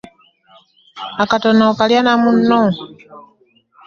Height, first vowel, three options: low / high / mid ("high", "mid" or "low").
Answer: low